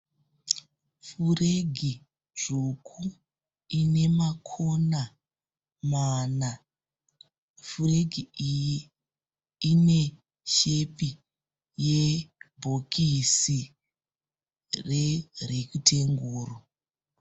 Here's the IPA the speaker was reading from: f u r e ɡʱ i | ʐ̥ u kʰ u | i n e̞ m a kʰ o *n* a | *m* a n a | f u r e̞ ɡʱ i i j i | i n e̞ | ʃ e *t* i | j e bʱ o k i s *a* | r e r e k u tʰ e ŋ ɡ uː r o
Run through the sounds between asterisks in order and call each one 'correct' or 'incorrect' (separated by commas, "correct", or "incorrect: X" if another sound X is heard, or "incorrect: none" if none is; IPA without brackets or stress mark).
correct, correct, incorrect: p, incorrect: i